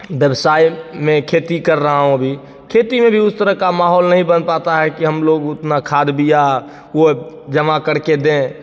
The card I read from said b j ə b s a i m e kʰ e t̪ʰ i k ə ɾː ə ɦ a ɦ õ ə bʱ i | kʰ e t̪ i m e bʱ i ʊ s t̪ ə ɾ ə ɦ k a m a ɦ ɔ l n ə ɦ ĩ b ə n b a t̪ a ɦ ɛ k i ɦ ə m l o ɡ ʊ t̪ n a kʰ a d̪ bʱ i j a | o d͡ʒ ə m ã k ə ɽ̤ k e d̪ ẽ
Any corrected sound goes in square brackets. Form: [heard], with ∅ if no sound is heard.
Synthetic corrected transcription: b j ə b s a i m e kʰ e [t̪] i k ə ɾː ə ɦ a ɦ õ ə bʱ i | kʰ e t̪ i m e bʱ i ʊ s t̪ ə ɾ ə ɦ k a m a ɦ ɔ l n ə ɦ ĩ b ə n [p] a t̪ a ɦ ɛ k i ɦ ə m l o ɡ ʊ t̪ n a kʰ a d̪ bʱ i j a | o d͡ʒ ə m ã k ə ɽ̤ k e d̪ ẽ